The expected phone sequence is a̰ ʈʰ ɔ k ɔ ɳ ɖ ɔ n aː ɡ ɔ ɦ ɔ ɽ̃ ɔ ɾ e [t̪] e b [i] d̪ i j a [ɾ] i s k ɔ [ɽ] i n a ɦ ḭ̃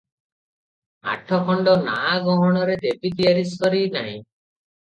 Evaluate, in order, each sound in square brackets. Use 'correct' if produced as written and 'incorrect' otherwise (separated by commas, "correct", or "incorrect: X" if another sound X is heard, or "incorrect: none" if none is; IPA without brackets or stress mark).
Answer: incorrect: d̪, correct, correct, incorrect: ɾ